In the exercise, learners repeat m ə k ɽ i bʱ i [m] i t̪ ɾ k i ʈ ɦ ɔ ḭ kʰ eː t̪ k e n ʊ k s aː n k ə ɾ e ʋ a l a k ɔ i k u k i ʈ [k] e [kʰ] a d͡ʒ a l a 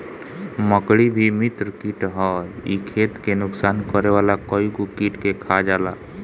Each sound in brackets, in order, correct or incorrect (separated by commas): correct, correct, correct